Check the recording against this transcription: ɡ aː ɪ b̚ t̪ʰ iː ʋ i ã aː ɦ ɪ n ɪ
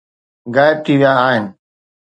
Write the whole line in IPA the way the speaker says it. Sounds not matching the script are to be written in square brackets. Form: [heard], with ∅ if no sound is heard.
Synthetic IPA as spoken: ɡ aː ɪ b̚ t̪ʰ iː ʋ [j] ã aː ɦ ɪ n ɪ